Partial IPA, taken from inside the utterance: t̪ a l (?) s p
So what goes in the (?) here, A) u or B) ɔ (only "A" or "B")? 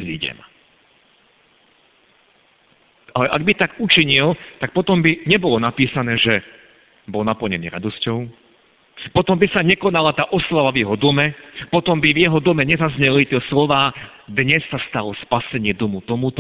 B